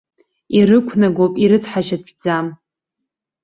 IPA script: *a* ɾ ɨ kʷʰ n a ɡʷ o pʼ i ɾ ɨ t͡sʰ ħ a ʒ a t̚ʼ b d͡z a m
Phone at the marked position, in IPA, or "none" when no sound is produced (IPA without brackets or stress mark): i